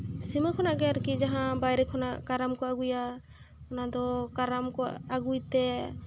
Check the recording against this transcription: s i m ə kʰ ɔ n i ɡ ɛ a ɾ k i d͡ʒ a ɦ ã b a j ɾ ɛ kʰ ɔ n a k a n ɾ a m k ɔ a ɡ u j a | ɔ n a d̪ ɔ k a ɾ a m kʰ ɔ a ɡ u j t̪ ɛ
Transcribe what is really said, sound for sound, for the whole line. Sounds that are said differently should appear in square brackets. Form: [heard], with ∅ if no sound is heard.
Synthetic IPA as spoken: s i m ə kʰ ɔ n [a] ɡ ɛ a ɾ k i d͡ʒ a ɦ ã b a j ɾ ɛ kʰ ɔ n a k a [∅] ɾ a m k ɔ a ɡ u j a | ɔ n a d̪ ɔ k a ɾ a m [k] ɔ a ɡ u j t̪ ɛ

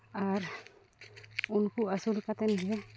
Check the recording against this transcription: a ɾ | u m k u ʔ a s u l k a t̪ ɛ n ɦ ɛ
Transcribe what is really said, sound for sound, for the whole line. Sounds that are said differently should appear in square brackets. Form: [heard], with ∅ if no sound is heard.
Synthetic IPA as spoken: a ɾ | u [n] k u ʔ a s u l k a t̪ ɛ n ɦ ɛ

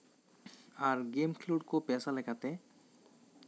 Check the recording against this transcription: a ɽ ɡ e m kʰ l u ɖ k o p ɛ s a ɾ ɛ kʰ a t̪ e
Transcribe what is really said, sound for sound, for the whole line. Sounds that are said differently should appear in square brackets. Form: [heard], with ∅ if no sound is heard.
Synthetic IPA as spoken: a [ɾ] ɡ e m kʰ l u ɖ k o p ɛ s a [l] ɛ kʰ a t̪ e

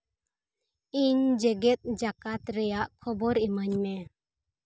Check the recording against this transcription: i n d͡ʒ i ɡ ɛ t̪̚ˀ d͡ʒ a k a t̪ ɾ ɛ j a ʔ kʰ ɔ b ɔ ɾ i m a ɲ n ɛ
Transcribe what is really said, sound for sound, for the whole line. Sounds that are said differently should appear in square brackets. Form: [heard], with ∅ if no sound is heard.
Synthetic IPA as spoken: i [ɲ] d͡ʒ [ɛ] ɡ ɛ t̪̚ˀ d͡ʒ a k a t̪ ɾ ɛ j a ʔ kʰ ɔ b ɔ ɾ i m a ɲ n ɛ

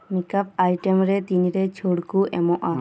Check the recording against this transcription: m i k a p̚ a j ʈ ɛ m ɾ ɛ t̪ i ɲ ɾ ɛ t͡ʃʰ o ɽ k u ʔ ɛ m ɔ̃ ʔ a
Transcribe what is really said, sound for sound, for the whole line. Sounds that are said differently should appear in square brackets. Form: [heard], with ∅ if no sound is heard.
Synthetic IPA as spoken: m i k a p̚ a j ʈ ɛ m ɾ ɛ t̪ i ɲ ɾ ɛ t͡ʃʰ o ɽ k u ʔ ɛ m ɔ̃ ʔ a

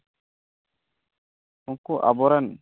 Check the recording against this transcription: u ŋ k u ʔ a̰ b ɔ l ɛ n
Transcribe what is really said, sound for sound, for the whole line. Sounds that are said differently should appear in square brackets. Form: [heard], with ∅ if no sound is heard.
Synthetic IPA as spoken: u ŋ k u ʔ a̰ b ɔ [ɾ] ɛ n

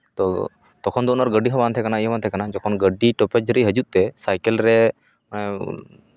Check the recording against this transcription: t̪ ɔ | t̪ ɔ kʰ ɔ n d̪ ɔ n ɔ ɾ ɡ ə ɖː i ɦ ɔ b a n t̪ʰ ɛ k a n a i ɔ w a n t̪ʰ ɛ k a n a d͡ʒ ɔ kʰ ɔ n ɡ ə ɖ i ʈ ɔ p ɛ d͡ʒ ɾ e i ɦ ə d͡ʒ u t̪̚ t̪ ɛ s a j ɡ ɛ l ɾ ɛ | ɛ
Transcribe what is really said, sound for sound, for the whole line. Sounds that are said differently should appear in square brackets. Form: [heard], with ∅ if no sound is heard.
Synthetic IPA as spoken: t̪ ɔ | t̪ ɔ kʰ ɔ n d̪ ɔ n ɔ ɾ ɡ ə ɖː i ɦ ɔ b a n t̪ʰ ɛ k a n a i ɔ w a n t̪ʰ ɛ k a n a d͡ʒ ɔ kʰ ɔ n ɡ ə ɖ i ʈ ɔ p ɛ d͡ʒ ɾ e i ɦ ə d͡ʒ u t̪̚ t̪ ɛ s a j [k] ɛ l ɾ ɛ | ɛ

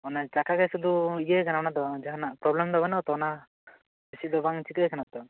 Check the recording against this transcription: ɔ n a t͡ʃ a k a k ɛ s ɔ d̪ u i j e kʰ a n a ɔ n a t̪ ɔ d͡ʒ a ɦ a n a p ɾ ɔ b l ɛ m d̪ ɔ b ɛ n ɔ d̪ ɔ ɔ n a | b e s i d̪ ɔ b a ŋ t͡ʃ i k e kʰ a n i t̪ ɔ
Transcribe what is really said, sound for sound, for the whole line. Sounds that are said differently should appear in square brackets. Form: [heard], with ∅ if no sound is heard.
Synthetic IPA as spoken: ɔ n a t͡ʃ a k a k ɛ s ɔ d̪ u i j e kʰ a n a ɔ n a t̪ ɔ d͡ʒ a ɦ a n a p ɾ ɔ b l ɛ m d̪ ɔ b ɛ n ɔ [t̪] ɔ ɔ n a | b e s i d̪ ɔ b a ŋ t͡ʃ i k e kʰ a n [a] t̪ ɔ

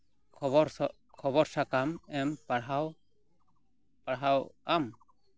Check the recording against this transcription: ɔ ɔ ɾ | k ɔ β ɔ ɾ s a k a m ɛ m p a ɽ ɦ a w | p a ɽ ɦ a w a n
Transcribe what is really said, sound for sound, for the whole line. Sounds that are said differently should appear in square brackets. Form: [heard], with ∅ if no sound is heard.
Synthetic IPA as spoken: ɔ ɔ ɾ | [kʰ] ɔ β ɔ ɾ s a k a m ɛ m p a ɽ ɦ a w | p a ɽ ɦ a w a [m]

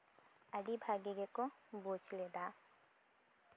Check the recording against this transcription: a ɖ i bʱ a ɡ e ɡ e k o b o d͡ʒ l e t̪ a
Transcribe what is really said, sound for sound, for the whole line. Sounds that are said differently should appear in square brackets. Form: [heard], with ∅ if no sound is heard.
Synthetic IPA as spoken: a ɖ i bʱ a ɡ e ɡ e k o b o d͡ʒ l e [d̪] a

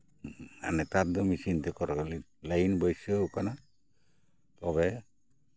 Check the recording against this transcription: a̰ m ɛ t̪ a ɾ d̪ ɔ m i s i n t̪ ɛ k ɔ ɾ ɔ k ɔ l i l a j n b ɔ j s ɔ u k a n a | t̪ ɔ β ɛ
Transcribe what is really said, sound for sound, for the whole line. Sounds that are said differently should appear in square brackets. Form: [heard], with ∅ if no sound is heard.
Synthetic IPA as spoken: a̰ [n] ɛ t̪ a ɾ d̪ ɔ m i s i n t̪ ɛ k ɔ ɾ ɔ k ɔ l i l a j n b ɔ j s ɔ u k a n a | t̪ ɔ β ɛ

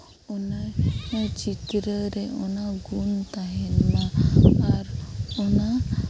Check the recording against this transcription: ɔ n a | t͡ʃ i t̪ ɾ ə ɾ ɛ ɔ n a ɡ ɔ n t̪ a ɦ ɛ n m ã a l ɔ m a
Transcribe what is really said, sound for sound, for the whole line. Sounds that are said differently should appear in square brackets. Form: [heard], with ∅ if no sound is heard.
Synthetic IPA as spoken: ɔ n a | t͡ʃ i t̪ ɾ ə ɾ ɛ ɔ n a ɡ [u] n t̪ a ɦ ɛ n m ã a [ɾ] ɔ [n] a

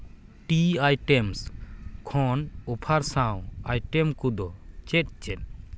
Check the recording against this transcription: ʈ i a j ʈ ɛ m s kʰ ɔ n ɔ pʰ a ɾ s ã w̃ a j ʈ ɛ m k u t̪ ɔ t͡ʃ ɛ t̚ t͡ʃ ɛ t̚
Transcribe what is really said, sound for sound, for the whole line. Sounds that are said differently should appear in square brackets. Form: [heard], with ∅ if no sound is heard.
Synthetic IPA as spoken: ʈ i a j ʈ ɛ m s kʰ ɔ n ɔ pʰ a ɾ s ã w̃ a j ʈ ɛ m k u [d̪] ɔ t͡ʃ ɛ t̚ t͡ʃ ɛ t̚

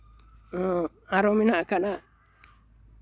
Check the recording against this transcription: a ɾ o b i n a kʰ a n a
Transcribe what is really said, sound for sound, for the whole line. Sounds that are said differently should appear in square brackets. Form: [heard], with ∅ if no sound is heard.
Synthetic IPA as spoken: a ɾ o [m] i n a [k] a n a

